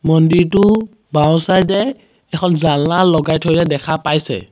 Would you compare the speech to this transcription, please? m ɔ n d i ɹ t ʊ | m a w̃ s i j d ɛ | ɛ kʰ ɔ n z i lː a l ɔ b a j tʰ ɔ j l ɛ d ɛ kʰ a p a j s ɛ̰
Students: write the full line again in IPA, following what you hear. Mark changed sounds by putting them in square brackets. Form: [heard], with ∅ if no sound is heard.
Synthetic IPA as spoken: m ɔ n d i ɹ t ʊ | [b] a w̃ s [a] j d ɛ | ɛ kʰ ɔ n z [a] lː a l ɔ [ɡ] a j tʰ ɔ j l ɛ d ɛ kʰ a p a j s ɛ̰